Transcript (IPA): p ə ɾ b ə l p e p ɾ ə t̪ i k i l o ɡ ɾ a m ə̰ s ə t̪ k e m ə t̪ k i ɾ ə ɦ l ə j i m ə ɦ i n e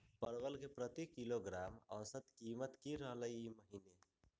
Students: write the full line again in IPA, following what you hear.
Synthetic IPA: p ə ɾ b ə l k e p ɾ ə t̪ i k i l o ɡ ɾ a m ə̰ s ə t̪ k i m ə t̪ k i ɾ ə ɦ l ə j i m ə ɦ i n e